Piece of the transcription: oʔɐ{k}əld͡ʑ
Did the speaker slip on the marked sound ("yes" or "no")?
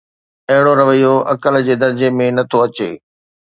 no